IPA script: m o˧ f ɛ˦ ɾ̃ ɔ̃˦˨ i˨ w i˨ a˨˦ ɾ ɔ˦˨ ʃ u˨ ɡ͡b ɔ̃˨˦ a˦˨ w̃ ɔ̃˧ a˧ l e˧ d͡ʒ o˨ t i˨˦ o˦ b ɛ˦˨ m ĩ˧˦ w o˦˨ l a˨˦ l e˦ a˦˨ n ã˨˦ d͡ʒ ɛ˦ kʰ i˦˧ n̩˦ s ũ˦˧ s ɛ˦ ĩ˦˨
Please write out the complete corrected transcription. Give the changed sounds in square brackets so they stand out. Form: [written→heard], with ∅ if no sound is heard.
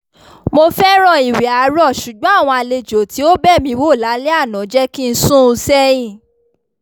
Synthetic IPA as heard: m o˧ f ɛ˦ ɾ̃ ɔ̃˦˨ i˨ w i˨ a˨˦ ɾ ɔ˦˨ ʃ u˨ ɡ͡b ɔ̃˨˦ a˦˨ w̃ ɔ̃˧ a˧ l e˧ d͡ʒ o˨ t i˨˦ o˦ b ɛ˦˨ m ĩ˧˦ w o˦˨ l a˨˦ l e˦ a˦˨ n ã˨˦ d͡ʒ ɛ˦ [kʰ→k] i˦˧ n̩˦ s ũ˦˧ s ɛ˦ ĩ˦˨

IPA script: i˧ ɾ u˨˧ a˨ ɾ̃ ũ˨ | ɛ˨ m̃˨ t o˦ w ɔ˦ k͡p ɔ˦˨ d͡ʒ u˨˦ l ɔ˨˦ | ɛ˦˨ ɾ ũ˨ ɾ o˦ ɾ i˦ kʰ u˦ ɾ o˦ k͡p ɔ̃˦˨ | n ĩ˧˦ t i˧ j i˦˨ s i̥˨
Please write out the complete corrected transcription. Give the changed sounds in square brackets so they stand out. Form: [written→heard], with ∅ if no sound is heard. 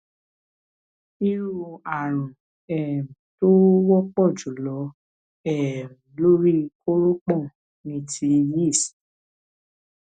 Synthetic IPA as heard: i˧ ɾ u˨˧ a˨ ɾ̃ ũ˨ | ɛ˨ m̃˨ t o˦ w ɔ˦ k͡p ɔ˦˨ d͡ʒ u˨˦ l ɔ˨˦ | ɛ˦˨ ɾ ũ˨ [ɾ→l] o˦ ɾ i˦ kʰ [u˦→o˦] ɾ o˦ k͡p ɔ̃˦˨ | n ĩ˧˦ t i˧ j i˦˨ s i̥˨

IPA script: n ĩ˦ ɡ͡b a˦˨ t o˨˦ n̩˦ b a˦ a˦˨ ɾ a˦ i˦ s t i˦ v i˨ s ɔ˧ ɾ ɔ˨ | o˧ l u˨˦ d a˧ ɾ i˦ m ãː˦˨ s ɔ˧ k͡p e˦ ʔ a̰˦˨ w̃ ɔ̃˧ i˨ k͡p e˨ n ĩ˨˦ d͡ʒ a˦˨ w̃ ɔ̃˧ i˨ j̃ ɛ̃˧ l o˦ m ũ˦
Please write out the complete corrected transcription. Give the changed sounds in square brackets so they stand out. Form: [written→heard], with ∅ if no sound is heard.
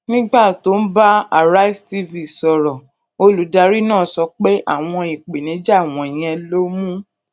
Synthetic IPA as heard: n ĩ˦ ɡ͡b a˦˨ t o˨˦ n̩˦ b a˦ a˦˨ ɾ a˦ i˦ s t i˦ v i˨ s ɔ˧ ɾ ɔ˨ | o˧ l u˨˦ d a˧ ɾ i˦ [m→n] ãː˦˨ s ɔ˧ k͡p e˦ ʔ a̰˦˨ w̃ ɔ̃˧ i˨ k͡p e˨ n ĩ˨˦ d͡ʒ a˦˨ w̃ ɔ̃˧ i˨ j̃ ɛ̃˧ l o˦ m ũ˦

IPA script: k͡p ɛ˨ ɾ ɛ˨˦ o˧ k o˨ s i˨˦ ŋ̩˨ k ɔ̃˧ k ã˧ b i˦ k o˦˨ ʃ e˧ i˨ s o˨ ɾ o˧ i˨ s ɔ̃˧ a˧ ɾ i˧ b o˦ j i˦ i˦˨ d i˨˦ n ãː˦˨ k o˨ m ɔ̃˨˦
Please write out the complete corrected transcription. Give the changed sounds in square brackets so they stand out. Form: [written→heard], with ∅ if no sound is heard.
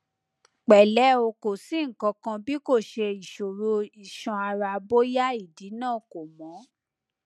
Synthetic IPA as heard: k͡p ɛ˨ [ɾ→l] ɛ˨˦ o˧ k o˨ s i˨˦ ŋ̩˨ k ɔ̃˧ k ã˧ b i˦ k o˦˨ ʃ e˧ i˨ [s→ʃ] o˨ ɾ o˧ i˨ [s→ʃ] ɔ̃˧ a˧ ɾ [i˧→a˧] b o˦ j [i˦→a˦] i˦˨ d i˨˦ n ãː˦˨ k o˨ m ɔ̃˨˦

